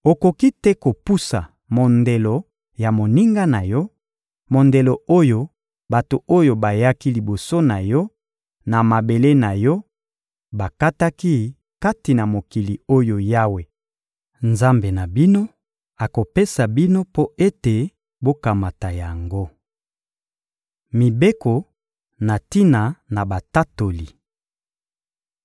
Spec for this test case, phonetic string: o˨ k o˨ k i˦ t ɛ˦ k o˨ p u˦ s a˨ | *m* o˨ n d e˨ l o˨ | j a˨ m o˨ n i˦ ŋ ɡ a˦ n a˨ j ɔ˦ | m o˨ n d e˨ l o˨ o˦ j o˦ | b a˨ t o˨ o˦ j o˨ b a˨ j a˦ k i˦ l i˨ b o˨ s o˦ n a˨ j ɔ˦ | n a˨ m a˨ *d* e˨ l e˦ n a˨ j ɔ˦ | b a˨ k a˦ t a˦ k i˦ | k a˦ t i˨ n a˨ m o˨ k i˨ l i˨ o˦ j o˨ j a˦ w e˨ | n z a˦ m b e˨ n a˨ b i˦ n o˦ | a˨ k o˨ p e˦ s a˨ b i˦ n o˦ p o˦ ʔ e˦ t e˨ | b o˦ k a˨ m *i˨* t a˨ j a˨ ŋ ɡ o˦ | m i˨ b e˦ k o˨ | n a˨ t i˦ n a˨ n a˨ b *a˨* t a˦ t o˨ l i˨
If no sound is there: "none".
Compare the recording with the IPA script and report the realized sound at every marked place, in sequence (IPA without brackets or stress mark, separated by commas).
m, b, a˨, a˨